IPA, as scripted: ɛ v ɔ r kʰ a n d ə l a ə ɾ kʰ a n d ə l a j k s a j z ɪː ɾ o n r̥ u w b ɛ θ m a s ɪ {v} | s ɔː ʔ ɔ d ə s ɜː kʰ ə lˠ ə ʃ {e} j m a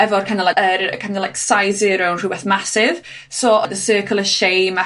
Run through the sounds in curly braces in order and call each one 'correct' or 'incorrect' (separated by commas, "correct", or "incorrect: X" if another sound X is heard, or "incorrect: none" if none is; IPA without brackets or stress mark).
correct, correct